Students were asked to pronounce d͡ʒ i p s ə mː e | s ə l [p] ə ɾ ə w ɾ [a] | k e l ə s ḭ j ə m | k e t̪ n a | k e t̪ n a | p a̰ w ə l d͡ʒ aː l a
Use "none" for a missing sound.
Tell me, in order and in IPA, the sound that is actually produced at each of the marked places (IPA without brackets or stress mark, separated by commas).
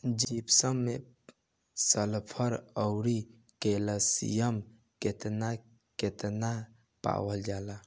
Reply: pʰ, i